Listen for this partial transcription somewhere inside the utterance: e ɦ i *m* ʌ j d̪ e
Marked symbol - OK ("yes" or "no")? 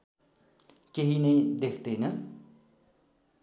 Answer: no